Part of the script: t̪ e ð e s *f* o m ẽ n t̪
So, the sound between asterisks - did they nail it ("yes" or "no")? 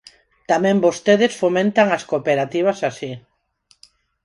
yes